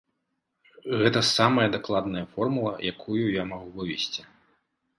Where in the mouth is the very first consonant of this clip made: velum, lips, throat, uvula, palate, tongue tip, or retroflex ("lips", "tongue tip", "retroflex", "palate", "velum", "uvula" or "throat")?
velum